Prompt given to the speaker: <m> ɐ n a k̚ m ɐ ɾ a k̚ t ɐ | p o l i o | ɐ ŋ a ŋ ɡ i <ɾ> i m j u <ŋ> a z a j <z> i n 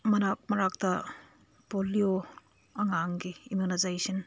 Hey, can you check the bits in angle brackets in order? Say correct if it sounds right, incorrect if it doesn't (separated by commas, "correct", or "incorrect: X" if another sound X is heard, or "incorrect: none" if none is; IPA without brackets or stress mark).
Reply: correct, incorrect: none, incorrect: n, incorrect: s